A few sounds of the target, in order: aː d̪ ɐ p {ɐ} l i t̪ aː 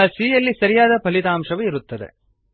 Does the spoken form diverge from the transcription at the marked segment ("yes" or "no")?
no